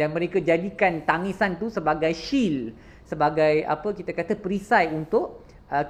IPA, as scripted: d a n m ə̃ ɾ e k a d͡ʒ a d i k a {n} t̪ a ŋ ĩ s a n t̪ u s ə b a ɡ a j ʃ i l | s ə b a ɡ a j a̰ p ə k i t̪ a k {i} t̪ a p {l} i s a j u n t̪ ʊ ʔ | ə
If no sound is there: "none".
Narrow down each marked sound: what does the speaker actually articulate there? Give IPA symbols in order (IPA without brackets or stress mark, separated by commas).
n, a, ɾ